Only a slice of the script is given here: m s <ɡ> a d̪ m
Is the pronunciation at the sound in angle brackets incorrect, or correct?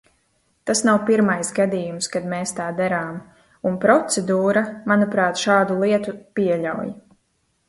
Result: incorrect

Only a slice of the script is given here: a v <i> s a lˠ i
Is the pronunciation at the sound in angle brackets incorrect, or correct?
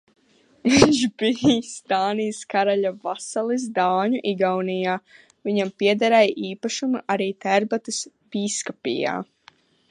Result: incorrect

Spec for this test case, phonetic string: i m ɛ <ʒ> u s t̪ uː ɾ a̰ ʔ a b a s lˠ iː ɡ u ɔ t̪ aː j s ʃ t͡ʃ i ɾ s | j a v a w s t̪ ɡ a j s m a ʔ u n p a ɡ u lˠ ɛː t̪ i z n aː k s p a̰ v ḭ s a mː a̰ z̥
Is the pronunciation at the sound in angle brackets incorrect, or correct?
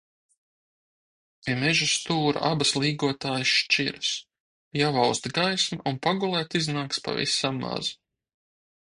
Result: correct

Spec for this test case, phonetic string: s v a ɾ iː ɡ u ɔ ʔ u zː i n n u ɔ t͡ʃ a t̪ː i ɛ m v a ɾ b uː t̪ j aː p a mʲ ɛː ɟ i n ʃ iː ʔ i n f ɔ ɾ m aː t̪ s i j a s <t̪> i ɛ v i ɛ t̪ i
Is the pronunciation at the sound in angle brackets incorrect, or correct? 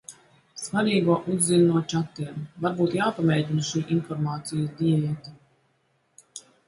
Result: incorrect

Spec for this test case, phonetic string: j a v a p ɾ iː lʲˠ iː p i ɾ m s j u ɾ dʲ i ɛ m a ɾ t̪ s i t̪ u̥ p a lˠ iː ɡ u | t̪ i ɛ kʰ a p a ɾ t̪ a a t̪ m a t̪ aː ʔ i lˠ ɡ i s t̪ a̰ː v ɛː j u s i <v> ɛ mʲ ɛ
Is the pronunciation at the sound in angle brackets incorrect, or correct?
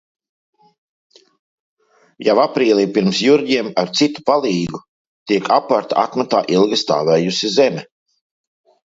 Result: incorrect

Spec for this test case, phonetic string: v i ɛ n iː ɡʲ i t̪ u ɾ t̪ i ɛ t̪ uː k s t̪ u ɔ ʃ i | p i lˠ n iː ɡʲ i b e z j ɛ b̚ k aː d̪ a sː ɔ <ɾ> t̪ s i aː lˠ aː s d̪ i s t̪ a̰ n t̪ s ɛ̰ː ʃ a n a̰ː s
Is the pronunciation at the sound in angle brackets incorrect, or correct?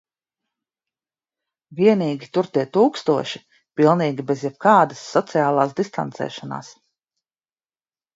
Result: incorrect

